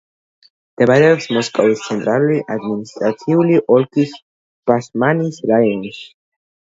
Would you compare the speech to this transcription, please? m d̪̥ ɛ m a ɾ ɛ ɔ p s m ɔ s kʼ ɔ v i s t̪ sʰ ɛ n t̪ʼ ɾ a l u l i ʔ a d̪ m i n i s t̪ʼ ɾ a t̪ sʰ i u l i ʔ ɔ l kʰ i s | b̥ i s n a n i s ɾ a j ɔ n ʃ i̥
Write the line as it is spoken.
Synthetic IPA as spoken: m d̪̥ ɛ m a ɾ ɛ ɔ p s m ɔ s kʼ ɔ v i s t̪ sʰ ɛ n t̪ʼ ɾ a l u l i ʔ a d̪ m i n i s t̪ʼ ɾ a t̪ sʰ i u l i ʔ ɔ l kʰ i s | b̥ a s m a n i s ɾ a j ɔ n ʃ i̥